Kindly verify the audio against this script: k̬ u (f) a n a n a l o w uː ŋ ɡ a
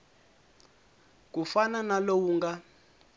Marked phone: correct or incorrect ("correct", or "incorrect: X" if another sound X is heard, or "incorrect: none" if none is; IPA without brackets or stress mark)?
correct